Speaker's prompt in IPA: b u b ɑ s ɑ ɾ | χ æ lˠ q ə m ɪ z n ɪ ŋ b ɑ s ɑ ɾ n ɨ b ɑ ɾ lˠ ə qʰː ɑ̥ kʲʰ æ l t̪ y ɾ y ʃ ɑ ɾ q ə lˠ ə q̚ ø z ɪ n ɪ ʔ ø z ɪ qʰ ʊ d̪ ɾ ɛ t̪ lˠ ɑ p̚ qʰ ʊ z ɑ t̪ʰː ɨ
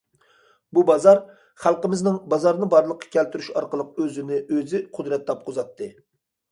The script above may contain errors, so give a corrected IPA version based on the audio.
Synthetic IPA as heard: b u b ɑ z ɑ ɾ | χ æ lˠ q ə m ɪ z n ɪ ŋ b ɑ z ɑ ɾ n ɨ b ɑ ɾ lˠ ə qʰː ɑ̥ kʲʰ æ l t̪ y ɾ y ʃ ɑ ɾ q ə lˠ ə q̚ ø z ɪ n ɪ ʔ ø z ɪ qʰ ʊ d̪ ɾ ɛ t̪ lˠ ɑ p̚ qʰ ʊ z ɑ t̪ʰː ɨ